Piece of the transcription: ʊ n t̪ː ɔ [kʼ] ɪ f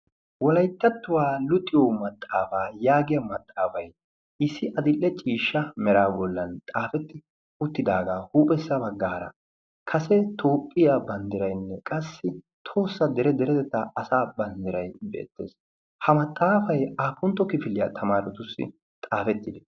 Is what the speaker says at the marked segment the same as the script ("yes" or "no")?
no